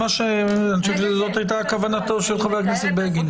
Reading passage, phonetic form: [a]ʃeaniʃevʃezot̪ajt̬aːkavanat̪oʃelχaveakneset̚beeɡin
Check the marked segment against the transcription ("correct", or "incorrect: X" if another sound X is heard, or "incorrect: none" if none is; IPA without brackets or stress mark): correct